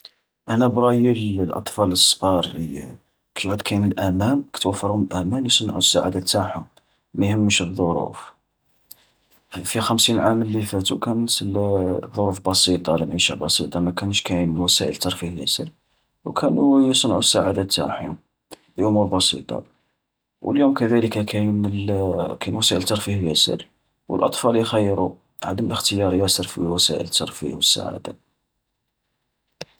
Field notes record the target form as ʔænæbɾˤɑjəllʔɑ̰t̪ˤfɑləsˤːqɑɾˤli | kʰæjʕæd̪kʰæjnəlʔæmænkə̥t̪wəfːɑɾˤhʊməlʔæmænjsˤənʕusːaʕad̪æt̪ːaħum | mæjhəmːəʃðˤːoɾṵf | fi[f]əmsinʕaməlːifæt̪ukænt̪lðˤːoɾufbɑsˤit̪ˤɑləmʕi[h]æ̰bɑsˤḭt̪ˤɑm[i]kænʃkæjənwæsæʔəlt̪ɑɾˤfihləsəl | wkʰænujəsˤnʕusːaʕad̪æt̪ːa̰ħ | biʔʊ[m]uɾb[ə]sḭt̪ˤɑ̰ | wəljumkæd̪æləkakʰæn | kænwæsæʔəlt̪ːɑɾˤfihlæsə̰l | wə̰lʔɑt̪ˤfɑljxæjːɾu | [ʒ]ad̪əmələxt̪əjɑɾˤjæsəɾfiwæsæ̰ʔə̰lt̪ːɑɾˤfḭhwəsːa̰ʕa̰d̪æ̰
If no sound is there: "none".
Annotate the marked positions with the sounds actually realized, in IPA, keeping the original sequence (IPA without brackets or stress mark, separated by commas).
x, ʃ, æ, m, ɑ, ʕ